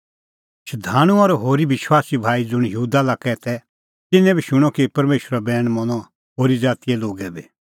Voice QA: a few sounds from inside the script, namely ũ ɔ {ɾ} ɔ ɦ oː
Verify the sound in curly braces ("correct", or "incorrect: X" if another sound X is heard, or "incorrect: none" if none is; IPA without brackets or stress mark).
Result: correct